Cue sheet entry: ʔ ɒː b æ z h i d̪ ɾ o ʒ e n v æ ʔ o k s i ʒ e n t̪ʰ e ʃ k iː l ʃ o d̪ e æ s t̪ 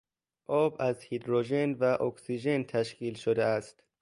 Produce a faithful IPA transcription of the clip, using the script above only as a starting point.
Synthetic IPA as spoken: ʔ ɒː b æ z h i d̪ ɾ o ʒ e n v æ ʔ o k s i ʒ e n t̪ʰ æ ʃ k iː l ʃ o d̪ e æ s t̪